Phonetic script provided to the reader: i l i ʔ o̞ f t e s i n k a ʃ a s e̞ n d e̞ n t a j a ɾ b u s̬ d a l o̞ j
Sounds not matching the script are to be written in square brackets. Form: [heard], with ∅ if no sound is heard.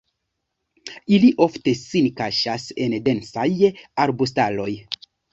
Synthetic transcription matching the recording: i l i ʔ o̞ f t e s i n k a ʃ a s e̞ n d e̞ n [s] a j a ɾ b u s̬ [t] a l o̞ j